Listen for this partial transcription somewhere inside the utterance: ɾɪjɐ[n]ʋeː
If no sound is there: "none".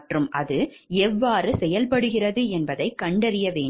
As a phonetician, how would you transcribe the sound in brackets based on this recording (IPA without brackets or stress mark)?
none